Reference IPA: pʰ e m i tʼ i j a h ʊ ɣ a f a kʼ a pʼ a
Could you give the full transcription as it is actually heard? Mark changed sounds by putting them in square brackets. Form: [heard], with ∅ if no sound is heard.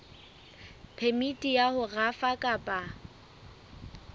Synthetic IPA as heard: pʰ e m i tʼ i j a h ʊ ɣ a f a kʼ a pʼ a